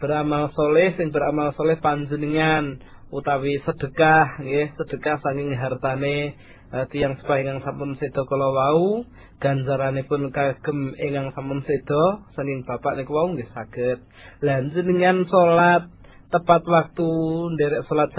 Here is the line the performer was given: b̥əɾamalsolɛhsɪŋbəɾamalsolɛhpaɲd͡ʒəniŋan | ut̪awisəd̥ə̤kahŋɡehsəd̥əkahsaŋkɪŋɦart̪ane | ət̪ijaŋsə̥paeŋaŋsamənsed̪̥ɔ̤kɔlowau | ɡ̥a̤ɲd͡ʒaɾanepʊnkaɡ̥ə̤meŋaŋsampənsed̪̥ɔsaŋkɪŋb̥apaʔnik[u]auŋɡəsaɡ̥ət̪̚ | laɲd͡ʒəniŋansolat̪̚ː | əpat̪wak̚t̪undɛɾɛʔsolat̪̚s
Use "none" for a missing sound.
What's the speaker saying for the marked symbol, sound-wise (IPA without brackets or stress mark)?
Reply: w